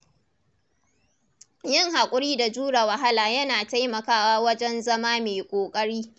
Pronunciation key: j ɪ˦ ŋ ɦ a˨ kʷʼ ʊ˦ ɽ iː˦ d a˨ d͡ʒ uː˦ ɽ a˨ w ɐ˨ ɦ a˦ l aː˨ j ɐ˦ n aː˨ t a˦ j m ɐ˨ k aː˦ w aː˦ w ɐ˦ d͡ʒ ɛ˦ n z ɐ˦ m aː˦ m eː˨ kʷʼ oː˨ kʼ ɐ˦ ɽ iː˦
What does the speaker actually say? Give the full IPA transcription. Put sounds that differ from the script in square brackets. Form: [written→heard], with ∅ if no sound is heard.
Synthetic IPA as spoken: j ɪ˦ ŋ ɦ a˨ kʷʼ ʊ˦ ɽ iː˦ d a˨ d͡ʒ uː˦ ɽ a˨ w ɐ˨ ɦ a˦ l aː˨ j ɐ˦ n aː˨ t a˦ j m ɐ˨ k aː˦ w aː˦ w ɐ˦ d͡ʒ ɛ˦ n z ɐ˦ m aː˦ m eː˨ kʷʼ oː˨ kʼ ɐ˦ ɽ iː˦